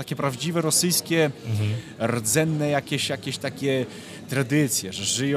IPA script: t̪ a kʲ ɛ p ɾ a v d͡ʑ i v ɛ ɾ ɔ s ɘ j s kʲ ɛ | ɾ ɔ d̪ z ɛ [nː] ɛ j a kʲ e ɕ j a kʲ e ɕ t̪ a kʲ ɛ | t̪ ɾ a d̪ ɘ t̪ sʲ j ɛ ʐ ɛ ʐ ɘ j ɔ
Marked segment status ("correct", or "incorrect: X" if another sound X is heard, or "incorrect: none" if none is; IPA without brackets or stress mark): correct